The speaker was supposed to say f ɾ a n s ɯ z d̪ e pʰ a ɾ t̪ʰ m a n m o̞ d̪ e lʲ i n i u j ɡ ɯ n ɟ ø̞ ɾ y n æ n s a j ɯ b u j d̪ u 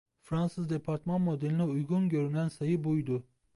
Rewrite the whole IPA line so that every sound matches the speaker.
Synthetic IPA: f ɾ a n s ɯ z d̪ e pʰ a ɾ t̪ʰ m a n m o̞ d̪ e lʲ i n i u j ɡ u n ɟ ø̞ ɾ y n æ n s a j ɯ b u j d̪ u